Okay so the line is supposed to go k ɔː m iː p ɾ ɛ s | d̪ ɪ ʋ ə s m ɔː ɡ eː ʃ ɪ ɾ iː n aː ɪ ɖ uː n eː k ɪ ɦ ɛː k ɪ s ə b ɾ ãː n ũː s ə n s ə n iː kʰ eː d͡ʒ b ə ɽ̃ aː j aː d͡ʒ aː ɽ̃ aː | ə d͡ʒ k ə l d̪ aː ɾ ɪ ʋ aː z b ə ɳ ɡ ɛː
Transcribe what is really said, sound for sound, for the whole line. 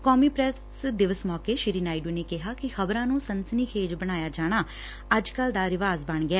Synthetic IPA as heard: k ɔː m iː p ɾ ɛ s | d̪ ɪ ʋ ə s m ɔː k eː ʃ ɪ ɾ iː n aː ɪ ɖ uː n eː k ɪ ɦ aː k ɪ x ə b ɾ ãː n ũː s ə n s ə n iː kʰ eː d͡ʒ b ə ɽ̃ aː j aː d͡ʒ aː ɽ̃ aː | ə d͡ʒ k ə l d̪ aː ɾ ɪ ʋ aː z b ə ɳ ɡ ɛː